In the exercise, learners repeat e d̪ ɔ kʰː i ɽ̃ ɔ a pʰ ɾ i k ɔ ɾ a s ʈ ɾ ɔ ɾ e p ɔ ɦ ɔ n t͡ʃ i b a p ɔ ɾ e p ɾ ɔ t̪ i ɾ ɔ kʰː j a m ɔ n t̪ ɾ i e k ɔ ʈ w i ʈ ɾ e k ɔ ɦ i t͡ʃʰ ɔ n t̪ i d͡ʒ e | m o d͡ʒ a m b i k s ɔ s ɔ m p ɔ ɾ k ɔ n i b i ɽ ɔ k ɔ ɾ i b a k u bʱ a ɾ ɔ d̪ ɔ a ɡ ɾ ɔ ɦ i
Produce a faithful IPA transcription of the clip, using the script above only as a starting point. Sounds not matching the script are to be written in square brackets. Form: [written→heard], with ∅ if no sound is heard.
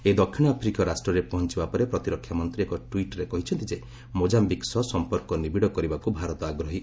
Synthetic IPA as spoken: e d̪ ɔ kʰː i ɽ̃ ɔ a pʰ ɾ i k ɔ ɾ a s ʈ ɾ ɔ ɾ e p ɔ ɦ ɔ n t͡ʃ i b a p ɔ ɾ e p ɾ ɔ t̪ i ɾ ɔ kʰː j a m ɔ n t̪ ɾ i e k ɔ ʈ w i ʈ ɾ e k ɔ ɦ i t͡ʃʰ ɔ n t̪ i d͡ʒ e | m o d͡ʒ a m b i k s ɔ s ɔ m p ɔ ɾ k ɔ n i b i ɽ ɔ k ɔ ɾ i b a k u bʱ a ɾ ɔ [d̪→t̪] ɔ a ɡ ɾ ɔ ɦ i